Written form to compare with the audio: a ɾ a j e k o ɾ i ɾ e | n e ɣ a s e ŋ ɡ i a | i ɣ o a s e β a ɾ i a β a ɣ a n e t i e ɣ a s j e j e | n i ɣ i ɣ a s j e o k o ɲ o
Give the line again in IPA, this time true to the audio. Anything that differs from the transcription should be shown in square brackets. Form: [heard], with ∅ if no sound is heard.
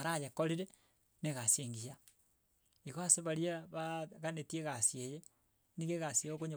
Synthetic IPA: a ɾ a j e k o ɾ i ɾ e | n e ɣ a s e ŋ ɡ i a | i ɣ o a s e β a ɾ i a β a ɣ a n e t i e ɣ a s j e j e | n i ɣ [e] ɣ a s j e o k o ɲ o

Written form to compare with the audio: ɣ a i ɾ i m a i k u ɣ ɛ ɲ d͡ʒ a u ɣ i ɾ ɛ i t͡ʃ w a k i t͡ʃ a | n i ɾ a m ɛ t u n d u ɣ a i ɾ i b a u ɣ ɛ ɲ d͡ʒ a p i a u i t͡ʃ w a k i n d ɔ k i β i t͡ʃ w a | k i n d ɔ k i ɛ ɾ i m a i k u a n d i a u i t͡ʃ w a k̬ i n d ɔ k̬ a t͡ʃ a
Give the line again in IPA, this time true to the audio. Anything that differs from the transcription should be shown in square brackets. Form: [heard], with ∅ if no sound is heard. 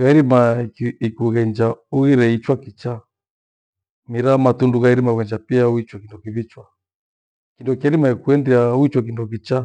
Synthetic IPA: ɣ a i ɾ i m a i k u ɣ ɛ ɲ d͡ʒ a u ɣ i ɾ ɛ i t͡ʃ w a k i t͡ʃ a | [m] i ɾ a m [a] t u n d u ɣ a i ɾ i [m] a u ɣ ɛ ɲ d͡ʒ a p i a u i t͡ʃ w a k i n d ɔ k i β i t͡ʃ w a | k i n d ɔ k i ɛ ɾ i m a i k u [ɛ] n d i a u i t͡ʃ w a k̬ i n d ɔ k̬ [i] t͡ʃ a

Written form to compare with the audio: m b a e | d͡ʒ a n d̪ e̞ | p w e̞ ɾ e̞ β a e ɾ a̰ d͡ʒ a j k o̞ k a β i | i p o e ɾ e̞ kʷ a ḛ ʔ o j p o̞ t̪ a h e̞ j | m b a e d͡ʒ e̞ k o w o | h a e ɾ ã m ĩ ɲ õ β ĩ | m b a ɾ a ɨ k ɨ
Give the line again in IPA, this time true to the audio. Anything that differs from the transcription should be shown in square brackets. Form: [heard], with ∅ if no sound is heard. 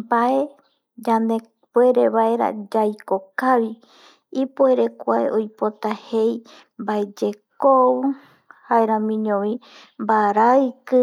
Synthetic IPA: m b a e | d͡ʒ a n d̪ e̞ | p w e̞ ɾ e̞ β a e ɾ a̰ d͡ʒ a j k o̞ k a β i | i p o e ɾ e̞ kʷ a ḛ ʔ o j p o̞ t̪ a h e̞ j | m b a e d͡ʒ e̞ k o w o | h a e ɾ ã m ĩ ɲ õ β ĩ | m b a ɾ a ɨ k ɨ

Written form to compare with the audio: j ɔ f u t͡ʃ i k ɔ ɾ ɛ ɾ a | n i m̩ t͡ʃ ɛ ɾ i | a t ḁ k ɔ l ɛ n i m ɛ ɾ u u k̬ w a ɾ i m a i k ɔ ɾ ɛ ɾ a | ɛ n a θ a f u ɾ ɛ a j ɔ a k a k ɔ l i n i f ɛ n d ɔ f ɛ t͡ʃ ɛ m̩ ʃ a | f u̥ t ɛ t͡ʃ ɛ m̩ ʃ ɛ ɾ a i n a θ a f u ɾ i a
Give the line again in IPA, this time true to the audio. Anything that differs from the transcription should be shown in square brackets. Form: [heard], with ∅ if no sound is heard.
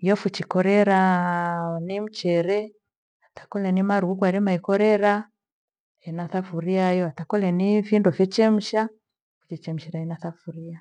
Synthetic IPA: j ɔ f u t͡ʃ i k ɔ ɾ ɛ ɾ a | n i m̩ t͡ʃ ɛ ɾ [ɛ] | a t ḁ k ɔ l ɛ n i m [a] ɾ u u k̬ w a ɾ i m a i k ɔ ɾ ɛ ɾ a | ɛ n a θ a f u ɾ [i] a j ɔ a [t] a k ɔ l [ɛ] n i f [i] n d ɔ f ɛ t͡ʃ ɛ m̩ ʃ a | f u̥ [t͡ʃ] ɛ t͡ʃ ɛ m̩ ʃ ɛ ɾ a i n a θ a f u ɾ i a

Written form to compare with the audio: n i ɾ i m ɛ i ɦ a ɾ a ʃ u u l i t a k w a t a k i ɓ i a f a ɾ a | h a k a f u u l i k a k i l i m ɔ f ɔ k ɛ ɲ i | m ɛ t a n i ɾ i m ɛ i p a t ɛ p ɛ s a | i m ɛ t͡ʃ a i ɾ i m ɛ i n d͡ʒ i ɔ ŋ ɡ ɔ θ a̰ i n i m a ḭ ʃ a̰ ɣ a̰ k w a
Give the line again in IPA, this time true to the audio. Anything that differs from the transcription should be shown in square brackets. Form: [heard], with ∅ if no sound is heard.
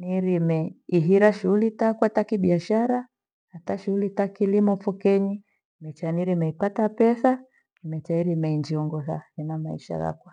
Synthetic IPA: n i ɾ i m ɛ i ɦ [i] ɾ a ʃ u u l i t a k w a t a k i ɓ i a [ʃ] a ɾ a | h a [t] a [ʃ] u u l i [t] a k i l i m ɔ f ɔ k ɛ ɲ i | m ɛ [t͡ʃ] a n i ɾ i m ɛ i p a t [a] p ɛ s a | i m ɛ t͡ʃ a i ɾ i m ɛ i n d͡ʒ i ɔ ŋ ɡ ɔ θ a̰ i n [a] m a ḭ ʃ a̰ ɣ a̰ k w a

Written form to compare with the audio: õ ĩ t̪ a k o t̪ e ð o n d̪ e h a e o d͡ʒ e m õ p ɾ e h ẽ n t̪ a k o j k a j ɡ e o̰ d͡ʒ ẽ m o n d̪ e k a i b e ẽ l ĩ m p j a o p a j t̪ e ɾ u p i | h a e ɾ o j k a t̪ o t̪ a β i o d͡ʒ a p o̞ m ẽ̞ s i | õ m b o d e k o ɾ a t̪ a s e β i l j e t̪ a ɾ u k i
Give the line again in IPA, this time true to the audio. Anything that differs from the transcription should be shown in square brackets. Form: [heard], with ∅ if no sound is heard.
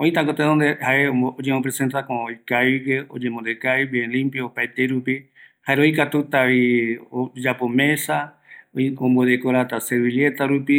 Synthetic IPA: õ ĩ t̪ a k o t̪ e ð o n d̪ e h a e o d͡ʒ e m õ p ɾ e [s] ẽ n t̪ a k o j k a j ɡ e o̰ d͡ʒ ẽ m o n d̪ e k a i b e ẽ l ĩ m p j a o p a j t̪ e ɾ u p i | h a e ɾ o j k a t̪ [u] t̪ a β i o d͡ʒ a p o̞ m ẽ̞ s [a] | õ m b o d e k o ɾ a t̪ a s e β i l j e t̪ a ɾ u [p] i

